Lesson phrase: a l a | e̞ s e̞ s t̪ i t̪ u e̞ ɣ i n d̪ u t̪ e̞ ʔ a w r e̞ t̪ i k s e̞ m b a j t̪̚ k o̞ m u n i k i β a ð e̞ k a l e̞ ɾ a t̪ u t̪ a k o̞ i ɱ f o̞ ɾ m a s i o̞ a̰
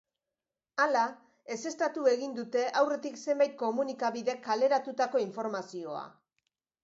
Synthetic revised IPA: a l a | e̞ s e̞ s t̪ a t̪ u e̞ ɣ i n d̪ u t̪ e̞ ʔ a w r e̞ t̪ i k s e̞ m b a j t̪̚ k o̞ m u n i k a β i ð e̞ k a l e̞ ɾ a t̪ u t̪ a k o̞ i ɱ f o̞ ɾ m a s i o̞ a̰